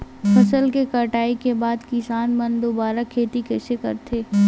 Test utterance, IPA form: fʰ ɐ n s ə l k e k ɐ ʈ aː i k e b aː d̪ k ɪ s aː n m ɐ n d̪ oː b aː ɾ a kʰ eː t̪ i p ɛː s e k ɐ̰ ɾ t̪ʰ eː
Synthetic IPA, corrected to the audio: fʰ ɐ s ə l k e k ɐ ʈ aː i k e b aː d̪ k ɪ s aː n m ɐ n d̪ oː b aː ɾ a kʰ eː t̪ i k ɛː s e k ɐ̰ ɾ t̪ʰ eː